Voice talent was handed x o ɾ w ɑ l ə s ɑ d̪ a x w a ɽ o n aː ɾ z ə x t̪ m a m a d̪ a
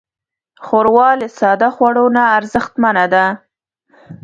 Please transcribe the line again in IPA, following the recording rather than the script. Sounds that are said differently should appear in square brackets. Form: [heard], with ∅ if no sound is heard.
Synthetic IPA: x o ɾ w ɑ l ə s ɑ d̪ a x w a ɽ o n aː ɾ z ə x t̪ m a [n] a d̪ a